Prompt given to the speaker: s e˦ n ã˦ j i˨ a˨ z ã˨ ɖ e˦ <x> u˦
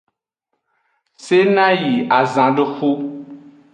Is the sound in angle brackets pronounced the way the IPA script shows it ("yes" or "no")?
yes